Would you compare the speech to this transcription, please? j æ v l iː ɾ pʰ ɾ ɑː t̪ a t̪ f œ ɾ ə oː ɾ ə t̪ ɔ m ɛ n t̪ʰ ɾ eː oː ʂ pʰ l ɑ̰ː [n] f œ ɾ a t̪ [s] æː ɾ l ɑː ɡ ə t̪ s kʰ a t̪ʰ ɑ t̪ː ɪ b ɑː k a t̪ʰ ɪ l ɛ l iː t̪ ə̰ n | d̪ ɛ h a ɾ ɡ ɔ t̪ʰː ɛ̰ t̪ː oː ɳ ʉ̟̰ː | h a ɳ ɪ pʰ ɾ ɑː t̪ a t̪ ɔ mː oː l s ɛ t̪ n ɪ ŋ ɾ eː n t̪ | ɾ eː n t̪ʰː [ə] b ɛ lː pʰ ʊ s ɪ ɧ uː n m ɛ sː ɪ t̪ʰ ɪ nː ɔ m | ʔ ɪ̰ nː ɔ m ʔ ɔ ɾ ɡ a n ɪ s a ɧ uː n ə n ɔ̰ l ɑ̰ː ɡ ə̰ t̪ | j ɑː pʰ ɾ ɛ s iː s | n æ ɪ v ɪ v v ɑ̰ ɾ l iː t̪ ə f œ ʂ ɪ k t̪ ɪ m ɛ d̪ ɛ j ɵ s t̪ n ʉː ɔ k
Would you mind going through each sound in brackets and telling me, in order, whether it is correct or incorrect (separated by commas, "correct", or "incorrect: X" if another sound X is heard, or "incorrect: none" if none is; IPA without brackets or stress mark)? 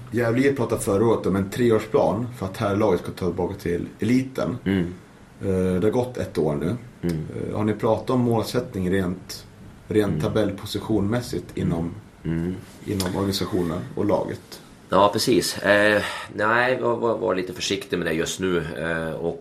correct, incorrect: h, incorrect: a